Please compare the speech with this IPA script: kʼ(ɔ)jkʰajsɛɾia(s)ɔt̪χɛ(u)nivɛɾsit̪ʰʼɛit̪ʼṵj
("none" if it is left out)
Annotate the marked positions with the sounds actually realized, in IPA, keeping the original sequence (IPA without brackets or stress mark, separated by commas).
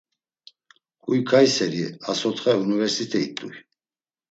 u, s, u